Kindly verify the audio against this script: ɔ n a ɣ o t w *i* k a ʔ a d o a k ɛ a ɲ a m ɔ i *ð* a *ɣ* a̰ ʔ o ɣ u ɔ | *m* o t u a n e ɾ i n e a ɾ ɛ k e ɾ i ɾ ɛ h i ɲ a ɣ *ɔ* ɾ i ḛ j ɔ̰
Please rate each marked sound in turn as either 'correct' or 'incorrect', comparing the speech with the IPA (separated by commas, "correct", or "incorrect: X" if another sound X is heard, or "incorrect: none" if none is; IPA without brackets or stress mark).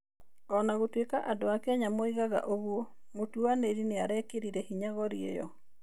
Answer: incorrect: e, incorrect: ɣ, correct, correct, correct